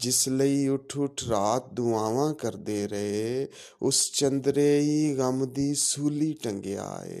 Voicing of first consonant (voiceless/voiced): voiced